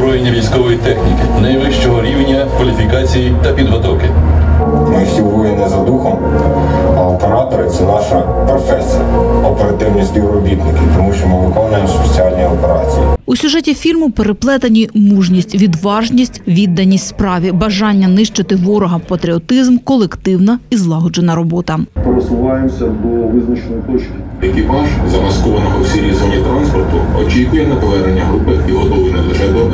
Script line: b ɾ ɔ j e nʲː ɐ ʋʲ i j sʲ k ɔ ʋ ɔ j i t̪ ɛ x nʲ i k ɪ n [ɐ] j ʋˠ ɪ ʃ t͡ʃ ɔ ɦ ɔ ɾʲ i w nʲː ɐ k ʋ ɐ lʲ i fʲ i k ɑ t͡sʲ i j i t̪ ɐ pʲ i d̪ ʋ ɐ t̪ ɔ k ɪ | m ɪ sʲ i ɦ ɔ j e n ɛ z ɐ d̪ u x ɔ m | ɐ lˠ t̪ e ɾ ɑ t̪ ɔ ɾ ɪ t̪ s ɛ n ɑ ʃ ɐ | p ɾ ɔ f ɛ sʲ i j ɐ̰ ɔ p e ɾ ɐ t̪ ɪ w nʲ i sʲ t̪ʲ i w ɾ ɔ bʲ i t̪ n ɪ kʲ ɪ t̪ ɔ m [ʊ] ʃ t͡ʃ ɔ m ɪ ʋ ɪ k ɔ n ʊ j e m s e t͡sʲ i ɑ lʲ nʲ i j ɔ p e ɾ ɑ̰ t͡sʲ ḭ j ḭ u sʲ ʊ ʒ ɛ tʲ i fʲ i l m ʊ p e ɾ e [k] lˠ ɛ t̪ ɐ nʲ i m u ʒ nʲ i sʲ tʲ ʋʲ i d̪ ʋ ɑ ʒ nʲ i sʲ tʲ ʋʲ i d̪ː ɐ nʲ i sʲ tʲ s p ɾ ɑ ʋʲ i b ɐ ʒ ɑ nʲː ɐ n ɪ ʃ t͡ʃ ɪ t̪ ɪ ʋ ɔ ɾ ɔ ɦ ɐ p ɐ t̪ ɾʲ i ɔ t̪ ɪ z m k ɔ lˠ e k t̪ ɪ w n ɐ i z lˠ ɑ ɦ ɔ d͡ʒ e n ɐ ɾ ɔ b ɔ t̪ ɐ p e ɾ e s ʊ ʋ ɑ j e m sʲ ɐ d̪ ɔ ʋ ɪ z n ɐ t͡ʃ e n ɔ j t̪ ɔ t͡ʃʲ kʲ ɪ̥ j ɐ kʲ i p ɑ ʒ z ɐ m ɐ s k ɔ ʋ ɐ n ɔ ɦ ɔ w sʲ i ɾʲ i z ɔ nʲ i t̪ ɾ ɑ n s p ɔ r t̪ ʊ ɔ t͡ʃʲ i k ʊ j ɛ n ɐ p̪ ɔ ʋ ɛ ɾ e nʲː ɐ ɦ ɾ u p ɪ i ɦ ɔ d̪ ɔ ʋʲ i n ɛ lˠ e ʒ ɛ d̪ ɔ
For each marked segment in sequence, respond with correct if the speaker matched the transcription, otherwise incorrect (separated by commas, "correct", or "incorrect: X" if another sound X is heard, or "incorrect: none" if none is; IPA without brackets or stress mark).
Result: correct, incorrect: u, incorrect: p